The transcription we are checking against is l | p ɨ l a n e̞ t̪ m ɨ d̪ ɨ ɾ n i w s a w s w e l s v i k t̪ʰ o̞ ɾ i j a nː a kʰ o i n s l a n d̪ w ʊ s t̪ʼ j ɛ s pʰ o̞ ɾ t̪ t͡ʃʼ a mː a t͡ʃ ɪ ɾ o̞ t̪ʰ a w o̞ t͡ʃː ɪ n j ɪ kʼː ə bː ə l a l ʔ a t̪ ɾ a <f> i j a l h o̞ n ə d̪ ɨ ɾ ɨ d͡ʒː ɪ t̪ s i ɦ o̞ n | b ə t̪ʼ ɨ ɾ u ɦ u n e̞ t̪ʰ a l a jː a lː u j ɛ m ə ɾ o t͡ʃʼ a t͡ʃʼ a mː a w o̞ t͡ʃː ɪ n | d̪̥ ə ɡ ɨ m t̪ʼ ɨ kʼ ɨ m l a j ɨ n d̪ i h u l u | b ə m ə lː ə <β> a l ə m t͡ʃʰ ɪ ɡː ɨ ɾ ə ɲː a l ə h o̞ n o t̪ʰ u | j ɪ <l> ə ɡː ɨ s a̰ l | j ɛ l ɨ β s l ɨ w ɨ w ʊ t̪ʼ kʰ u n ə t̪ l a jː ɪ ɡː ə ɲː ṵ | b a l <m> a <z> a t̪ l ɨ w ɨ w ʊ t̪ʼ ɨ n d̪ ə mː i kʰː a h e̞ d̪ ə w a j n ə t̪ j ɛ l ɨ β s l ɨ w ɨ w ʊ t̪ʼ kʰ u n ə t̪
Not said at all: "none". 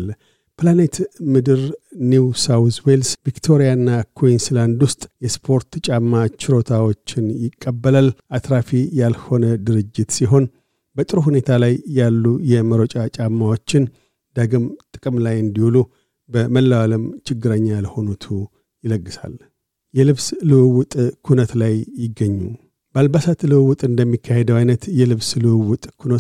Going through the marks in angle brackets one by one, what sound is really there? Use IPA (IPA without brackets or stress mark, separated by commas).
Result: f, w, l, b, s